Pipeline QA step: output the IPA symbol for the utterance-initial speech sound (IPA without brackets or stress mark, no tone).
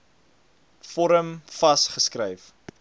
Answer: f